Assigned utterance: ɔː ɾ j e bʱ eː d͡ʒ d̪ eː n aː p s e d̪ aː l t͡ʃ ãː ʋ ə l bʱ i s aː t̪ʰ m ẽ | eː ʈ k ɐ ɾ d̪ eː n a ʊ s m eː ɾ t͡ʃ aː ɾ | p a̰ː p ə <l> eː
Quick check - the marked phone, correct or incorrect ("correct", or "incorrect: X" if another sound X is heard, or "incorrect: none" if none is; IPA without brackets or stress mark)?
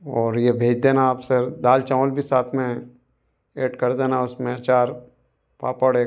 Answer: incorrect: ɽ